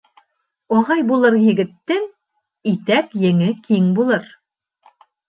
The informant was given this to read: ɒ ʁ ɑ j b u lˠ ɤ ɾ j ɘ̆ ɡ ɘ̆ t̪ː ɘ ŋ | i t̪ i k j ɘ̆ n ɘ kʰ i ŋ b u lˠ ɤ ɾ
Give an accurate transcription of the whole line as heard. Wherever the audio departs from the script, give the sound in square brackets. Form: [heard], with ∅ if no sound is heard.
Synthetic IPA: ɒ ʁ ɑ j b u lˠ ɤ ɾ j ɘ̆ ɡ ɘ̆ t̪ː ɘ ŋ | i t̪ [æ] k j ɘ̆ [ŋ] ɘ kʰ i ŋ b u lˠ ɤ ɾ